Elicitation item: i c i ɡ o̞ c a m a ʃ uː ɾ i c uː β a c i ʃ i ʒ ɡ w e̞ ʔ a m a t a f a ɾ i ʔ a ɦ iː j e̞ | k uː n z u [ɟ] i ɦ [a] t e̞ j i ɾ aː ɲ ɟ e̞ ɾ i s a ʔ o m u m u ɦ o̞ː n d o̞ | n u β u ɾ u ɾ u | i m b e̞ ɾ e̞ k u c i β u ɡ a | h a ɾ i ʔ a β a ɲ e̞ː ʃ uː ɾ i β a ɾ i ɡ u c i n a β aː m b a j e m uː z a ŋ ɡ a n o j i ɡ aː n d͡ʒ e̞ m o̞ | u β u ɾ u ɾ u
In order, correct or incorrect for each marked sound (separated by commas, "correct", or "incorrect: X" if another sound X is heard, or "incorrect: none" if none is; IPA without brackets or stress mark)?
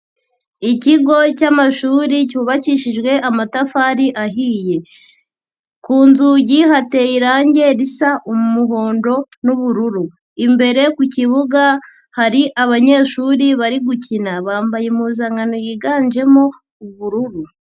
correct, correct